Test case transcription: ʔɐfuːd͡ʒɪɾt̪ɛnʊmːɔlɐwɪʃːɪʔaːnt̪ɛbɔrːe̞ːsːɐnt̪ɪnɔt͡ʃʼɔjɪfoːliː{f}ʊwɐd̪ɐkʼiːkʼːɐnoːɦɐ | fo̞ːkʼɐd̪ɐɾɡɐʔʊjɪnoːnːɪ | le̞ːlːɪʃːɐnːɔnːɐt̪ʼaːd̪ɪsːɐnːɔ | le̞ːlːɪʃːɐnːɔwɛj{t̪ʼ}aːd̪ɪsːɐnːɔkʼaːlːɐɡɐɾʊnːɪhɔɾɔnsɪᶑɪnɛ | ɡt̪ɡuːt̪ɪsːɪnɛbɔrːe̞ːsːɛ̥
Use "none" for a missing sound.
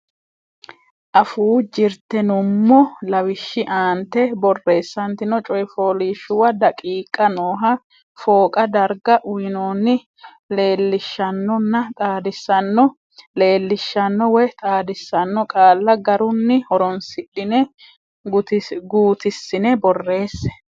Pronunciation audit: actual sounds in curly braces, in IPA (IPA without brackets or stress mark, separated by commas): ʃ, t̪ʼ